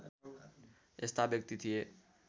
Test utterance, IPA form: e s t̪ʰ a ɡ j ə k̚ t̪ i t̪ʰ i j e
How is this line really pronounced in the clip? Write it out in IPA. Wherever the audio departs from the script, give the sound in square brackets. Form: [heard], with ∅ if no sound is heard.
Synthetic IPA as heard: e s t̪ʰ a [b] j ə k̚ t̪ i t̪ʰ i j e